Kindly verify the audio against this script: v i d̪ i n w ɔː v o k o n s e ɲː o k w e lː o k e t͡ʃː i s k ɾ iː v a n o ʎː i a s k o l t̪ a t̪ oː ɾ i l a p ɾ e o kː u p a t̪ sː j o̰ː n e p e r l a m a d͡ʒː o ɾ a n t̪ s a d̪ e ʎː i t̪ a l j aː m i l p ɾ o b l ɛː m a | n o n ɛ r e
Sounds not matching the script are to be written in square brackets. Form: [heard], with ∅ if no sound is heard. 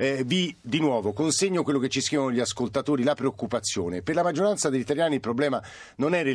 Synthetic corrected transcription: v i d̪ i n w ɔː v o k o n s e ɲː o k w e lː o k e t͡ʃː i s k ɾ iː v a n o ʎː i a s k o l t̪ a t̪ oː ɾ i l a p ɾ e o kː u p a t̪ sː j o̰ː n e p e r l a m a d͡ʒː o ɾ a n t̪ s a d̪ e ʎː i t̪ a l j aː [n] i l p ɾ o b l ɛː m a | n o n ɛ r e